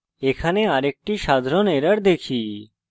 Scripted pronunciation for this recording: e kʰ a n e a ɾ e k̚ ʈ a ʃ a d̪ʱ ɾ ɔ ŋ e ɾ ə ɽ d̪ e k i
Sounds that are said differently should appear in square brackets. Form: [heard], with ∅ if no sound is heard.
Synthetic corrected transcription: e kʰ a n e a ɾ e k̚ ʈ [i] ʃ a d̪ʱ ɾ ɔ [n] e ɾ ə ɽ d̪ e [kʰ] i